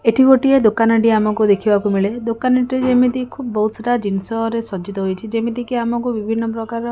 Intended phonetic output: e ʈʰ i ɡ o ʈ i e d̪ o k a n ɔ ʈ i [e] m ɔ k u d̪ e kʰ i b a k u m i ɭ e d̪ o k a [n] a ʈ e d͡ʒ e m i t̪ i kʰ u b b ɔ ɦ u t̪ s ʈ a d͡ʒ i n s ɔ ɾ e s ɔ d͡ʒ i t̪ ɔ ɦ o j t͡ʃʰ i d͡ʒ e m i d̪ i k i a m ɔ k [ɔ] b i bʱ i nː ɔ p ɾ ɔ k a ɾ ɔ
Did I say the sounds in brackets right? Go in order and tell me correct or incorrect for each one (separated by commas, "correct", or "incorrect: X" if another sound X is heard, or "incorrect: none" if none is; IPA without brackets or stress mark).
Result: incorrect: a, correct, incorrect: u